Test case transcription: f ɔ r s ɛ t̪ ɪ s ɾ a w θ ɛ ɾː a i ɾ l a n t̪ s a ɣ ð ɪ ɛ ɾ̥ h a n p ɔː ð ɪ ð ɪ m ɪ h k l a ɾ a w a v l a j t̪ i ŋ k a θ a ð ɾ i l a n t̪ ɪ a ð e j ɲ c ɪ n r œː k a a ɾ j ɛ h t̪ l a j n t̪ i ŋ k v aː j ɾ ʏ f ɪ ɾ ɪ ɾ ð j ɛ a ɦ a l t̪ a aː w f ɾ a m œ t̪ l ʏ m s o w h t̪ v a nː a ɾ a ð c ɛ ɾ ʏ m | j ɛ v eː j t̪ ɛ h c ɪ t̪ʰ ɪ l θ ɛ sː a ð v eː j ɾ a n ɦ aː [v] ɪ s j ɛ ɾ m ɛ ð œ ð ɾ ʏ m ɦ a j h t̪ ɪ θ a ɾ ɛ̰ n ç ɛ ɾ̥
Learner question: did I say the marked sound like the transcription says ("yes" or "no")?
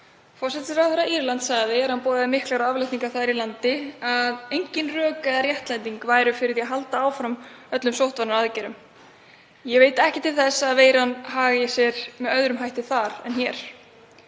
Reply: no